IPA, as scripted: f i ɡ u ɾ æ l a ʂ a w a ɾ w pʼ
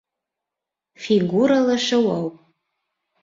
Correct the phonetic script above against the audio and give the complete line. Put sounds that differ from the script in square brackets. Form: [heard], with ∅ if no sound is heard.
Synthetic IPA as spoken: f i ɡ u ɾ [a] l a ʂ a w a [∅] w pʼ